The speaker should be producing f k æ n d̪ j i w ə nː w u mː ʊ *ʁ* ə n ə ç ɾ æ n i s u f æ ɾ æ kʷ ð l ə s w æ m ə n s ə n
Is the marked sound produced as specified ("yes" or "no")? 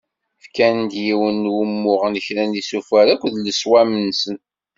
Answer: yes